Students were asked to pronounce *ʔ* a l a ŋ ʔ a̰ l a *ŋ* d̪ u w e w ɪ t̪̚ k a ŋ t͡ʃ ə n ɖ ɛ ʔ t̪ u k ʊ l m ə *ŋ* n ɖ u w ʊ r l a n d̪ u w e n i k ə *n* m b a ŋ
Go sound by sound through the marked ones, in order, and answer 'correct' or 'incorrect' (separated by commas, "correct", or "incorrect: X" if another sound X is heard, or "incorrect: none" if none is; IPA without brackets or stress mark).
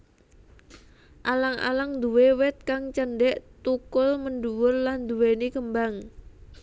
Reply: correct, correct, incorrect: none, incorrect: none